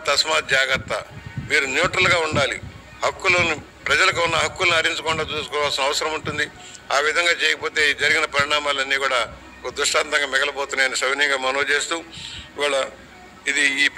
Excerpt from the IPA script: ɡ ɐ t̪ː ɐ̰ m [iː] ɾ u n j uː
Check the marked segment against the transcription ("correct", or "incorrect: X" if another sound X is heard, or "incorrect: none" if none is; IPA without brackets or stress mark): correct